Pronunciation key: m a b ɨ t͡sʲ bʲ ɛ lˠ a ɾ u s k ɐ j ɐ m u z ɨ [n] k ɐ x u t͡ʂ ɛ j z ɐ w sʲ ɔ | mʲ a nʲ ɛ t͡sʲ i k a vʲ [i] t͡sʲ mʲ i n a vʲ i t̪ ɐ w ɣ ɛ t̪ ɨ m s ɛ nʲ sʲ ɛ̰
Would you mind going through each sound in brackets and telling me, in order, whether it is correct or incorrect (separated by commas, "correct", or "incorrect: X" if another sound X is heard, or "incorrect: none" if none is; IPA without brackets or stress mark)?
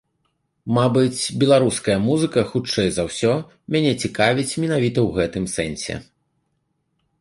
incorrect: none, correct